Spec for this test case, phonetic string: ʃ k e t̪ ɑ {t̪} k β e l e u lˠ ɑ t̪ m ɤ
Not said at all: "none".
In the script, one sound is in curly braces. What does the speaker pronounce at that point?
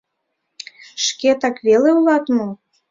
none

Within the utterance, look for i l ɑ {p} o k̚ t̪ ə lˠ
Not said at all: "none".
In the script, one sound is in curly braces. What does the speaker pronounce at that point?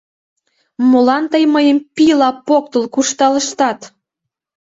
p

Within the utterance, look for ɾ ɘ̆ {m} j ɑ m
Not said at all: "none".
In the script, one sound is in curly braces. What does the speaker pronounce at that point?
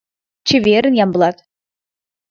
n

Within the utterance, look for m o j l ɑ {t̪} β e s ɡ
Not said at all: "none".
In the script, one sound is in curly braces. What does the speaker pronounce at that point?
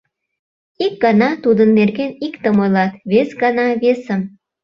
t̪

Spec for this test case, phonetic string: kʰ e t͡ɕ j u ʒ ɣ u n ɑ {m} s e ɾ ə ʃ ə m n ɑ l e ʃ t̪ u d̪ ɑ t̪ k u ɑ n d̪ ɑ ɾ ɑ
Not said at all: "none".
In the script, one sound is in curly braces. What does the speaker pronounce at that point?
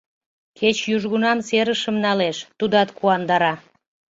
m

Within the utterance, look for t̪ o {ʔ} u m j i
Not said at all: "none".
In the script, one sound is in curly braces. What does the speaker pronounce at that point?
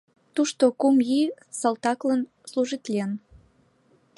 k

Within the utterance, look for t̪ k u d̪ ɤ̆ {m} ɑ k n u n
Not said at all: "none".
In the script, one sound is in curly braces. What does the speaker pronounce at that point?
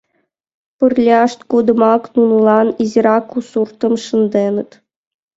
m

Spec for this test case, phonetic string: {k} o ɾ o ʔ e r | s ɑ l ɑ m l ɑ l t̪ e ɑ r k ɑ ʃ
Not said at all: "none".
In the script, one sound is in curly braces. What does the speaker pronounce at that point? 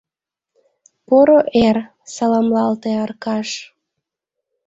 p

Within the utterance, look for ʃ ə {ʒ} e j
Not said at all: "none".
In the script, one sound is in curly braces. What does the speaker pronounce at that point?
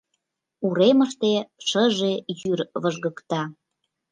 ʒ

